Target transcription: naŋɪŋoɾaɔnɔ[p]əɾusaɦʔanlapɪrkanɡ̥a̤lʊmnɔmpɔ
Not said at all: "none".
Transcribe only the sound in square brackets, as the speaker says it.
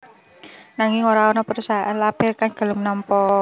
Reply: p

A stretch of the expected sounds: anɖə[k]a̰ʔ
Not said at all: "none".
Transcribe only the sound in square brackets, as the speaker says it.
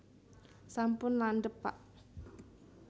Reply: p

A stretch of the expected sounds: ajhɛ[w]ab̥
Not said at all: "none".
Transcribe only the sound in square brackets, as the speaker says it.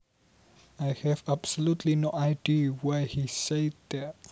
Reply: v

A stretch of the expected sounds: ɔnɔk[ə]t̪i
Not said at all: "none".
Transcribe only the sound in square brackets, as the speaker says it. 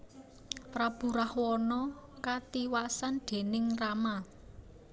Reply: a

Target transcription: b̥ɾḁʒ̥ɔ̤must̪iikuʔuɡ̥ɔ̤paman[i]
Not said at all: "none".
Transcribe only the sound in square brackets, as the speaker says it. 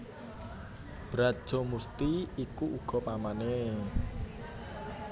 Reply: e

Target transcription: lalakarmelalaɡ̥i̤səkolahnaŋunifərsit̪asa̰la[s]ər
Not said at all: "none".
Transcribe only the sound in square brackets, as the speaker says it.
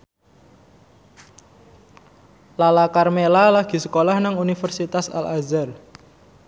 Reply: z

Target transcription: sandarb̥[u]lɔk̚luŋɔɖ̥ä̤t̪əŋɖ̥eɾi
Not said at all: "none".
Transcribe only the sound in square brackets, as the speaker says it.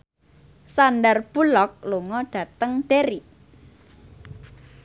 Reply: u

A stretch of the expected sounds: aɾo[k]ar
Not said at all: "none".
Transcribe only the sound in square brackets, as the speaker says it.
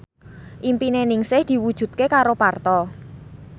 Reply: p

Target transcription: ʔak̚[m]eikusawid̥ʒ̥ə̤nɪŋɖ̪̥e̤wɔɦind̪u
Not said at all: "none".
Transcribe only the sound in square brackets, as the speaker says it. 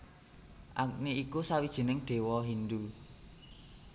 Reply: n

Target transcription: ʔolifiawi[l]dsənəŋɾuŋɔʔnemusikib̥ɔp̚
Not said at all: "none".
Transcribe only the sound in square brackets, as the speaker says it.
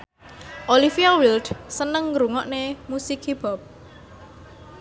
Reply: l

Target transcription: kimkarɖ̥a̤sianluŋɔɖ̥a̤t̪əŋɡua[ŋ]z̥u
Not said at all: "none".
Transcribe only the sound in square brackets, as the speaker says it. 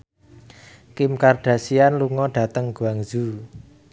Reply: ŋ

